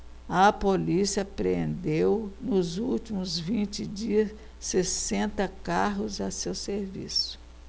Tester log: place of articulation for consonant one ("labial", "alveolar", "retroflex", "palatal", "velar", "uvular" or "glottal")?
labial